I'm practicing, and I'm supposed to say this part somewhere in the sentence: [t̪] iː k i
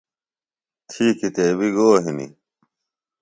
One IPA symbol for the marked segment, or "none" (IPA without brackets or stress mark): t̪ʰ